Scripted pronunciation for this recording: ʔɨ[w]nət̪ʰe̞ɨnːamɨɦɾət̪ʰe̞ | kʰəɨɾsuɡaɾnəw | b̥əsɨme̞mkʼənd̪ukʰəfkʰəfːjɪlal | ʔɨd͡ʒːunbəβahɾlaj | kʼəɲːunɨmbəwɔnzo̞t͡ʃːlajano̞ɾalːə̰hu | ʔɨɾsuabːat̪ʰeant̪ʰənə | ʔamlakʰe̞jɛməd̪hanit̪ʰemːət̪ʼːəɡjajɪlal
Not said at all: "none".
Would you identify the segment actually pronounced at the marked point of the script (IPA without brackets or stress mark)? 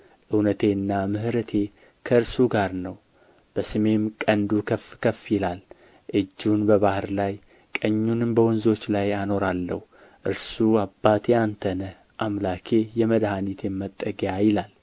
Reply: w